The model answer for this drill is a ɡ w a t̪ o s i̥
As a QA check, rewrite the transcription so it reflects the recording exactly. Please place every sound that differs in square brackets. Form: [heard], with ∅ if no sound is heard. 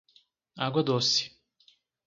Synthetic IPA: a ɡ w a [d̪] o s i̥